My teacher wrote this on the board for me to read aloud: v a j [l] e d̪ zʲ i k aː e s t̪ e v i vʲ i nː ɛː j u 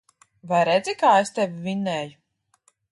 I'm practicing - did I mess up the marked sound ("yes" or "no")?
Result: yes